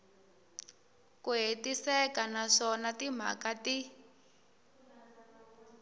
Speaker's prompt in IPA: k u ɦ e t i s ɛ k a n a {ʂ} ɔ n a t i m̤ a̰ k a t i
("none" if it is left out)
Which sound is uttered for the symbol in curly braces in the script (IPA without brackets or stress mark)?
ʂ